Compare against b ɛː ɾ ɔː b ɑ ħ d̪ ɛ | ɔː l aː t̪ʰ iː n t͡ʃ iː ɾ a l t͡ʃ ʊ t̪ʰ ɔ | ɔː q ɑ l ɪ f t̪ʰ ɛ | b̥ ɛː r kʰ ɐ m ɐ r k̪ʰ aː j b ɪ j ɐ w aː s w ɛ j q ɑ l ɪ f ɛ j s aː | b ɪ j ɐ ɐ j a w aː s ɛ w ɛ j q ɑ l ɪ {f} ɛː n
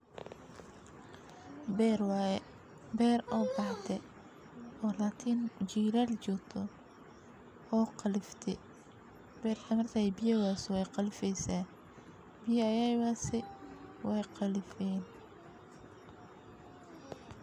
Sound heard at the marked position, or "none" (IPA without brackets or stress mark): f